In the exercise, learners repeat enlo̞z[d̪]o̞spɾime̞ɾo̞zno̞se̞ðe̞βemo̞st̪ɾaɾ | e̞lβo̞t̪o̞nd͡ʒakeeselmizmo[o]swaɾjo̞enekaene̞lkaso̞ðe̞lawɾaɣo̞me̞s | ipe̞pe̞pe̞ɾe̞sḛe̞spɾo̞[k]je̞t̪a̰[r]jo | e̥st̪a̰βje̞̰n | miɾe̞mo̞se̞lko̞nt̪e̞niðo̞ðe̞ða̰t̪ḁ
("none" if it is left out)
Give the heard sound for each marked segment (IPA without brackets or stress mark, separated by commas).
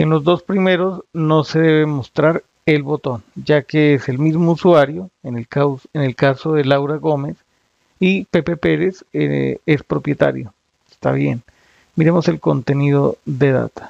d̪, u, p, ɾ